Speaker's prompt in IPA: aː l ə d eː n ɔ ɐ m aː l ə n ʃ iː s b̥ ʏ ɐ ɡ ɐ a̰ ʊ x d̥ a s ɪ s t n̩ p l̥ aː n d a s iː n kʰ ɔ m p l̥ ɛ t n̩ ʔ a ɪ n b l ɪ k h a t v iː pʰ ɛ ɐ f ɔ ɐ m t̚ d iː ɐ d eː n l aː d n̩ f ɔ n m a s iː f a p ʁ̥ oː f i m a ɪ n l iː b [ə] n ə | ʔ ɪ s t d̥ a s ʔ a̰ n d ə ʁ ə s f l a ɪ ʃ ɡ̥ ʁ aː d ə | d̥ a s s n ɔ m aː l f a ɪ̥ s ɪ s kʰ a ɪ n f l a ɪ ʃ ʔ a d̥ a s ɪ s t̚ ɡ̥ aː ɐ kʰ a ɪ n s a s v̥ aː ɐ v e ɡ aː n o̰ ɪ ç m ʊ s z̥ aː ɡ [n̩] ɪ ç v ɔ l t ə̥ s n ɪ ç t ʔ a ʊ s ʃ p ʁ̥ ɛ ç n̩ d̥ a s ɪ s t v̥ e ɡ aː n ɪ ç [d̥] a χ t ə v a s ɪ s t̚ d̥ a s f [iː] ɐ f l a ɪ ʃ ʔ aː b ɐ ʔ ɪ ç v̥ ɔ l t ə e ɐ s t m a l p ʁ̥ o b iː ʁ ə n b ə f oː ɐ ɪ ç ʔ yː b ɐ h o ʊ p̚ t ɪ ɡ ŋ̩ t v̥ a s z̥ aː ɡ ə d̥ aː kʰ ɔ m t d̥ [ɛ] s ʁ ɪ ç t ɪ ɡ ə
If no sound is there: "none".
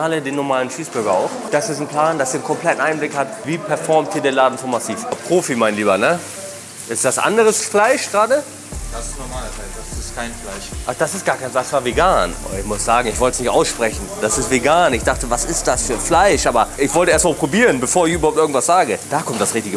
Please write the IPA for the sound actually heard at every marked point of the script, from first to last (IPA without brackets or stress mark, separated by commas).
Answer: ɐ, ŋ̩, d̥, yː, a